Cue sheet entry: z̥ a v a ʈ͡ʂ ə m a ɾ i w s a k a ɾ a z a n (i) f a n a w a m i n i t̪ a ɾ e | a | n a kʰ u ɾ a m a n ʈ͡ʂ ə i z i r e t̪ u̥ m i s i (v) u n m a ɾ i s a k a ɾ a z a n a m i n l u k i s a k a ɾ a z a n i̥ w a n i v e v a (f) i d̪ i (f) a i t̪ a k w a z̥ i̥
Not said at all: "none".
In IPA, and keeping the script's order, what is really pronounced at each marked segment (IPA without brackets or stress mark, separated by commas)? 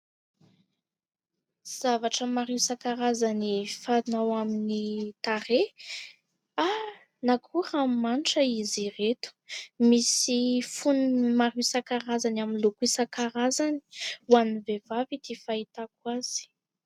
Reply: i, f, v, f